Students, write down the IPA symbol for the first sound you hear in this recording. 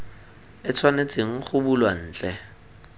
ɪ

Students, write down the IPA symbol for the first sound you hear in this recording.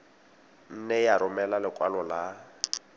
n̩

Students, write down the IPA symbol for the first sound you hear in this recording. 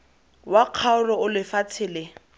w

